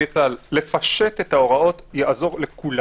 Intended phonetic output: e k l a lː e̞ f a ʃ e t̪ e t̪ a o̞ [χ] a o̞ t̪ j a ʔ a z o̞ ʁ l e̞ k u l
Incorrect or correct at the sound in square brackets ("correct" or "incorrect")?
incorrect